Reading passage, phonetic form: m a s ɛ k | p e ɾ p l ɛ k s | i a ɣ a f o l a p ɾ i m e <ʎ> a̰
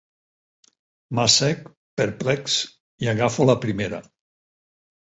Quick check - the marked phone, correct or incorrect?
incorrect: ɾ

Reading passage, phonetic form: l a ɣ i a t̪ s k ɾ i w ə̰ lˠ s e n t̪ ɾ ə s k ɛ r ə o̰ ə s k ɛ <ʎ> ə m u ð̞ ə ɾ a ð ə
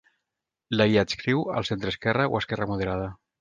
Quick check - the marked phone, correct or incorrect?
incorrect: r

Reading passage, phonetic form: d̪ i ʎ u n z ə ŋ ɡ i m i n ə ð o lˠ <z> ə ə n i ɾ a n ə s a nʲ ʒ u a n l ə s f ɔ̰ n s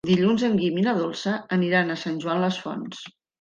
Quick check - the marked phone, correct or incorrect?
incorrect: s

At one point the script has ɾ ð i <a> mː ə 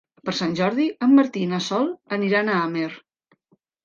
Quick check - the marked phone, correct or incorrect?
incorrect: ə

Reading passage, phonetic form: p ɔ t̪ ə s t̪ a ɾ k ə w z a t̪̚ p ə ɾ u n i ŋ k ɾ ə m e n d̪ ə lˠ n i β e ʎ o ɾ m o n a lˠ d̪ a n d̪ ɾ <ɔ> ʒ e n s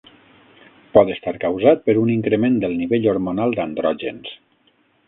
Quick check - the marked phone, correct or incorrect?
correct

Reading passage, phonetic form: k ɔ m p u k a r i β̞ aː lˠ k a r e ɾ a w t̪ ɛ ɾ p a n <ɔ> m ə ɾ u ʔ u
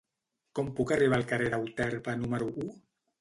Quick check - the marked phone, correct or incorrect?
incorrect: u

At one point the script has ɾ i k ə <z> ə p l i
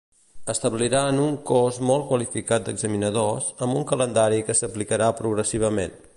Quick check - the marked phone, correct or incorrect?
incorrect: s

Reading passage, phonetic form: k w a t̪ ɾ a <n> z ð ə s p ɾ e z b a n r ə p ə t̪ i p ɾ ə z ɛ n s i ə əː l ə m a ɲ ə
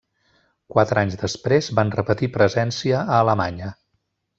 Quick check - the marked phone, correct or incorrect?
incorrect: ɲ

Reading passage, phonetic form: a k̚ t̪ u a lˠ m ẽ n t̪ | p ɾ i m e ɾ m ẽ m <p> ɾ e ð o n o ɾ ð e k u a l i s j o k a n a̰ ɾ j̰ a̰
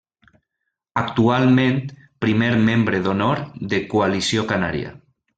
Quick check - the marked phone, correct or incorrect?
incorrect: b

